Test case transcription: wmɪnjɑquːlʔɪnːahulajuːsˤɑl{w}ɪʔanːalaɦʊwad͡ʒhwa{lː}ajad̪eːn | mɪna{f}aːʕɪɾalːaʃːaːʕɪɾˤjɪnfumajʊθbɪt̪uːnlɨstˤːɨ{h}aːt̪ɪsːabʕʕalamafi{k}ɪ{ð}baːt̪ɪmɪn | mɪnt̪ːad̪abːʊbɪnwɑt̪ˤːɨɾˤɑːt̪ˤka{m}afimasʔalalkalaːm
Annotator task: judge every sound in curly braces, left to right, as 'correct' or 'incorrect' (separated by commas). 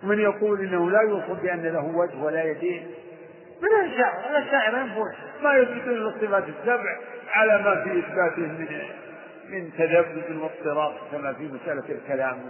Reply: incorrect, incorrect, incorrect, incorrect, incorrect, incorrect, correct